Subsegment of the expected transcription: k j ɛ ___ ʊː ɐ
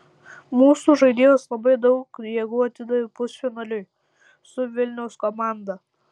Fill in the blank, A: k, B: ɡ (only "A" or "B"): B